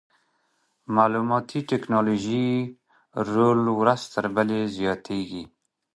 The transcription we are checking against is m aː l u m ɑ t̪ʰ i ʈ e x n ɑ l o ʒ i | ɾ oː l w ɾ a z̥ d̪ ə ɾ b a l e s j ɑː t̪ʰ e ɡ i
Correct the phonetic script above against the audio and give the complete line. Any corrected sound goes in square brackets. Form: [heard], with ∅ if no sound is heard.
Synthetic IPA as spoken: m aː l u m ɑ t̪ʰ i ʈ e [k] n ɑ l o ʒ i | ɾ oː l w ɾ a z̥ [t̪] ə ɾ b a l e [z] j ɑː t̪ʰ e ɡ i